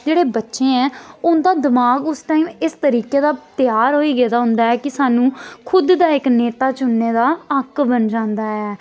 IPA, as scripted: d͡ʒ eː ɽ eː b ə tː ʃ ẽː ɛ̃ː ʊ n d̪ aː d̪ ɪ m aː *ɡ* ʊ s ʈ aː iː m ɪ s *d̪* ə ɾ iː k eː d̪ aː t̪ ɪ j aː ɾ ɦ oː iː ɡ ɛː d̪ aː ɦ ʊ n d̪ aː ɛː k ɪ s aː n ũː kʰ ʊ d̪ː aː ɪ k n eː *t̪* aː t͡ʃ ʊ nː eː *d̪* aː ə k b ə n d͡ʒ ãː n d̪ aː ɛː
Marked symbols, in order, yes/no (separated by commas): yes, no, yes, yes